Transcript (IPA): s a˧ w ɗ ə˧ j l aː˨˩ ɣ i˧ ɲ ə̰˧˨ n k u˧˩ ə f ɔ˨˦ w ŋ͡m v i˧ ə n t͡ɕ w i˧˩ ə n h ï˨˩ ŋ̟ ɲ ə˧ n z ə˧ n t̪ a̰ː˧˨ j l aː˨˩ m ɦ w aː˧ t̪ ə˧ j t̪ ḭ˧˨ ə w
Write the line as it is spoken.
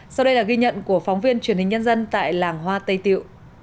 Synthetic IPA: s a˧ w ɗ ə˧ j l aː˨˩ ɣ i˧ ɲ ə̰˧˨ n k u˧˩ ə f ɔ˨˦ w ŋ͡m v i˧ ə n t͡ɕ w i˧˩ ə n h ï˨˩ ŋ̟ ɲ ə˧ n z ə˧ n t̪ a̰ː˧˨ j l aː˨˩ ŋ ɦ w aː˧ t̪ ə˧ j t̪ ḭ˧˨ ə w